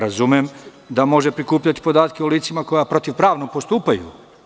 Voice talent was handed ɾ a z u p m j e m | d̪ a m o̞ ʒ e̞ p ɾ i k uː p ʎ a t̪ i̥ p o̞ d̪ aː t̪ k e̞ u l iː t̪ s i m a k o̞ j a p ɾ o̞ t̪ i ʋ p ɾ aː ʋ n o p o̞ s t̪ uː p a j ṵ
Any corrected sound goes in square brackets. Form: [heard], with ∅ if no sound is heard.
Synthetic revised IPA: ɾ a z u [∅] m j e m | d̪ a m o̞ ʒ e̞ p ɾ i k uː p ʎ a t̪ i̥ p o̞ d̪ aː t̪ k e̞ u l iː t̪ s i m a k o̞ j a p ɾ o̞ t̪ i ʋ p ɾ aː ʋ n o p o̞ s t̪ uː p a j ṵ